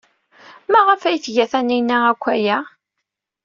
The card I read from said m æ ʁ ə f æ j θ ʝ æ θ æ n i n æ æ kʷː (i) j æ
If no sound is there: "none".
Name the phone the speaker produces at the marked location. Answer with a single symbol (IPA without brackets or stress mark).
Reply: æ